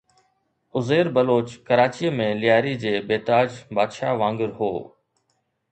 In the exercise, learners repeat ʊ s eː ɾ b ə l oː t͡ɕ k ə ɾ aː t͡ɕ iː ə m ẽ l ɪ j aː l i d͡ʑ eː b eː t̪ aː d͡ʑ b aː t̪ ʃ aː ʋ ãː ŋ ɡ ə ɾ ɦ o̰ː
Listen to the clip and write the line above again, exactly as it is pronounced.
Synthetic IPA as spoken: ʊ z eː ɾ b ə l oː t͡ɕ k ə ɾ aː t͡ɕ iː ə m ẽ l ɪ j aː ɾ i d͡ʑ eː b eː t̪ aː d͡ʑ b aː d̪ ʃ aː ʋ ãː ŋ ɡ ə ɾ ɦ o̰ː